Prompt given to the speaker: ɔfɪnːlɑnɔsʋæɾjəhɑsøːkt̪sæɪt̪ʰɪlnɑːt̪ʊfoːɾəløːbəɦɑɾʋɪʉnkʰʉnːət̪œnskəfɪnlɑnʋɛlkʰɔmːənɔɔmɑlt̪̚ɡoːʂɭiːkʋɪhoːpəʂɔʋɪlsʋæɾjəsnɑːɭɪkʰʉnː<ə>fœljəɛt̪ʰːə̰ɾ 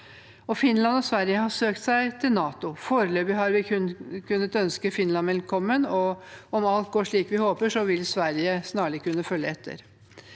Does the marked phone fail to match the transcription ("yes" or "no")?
no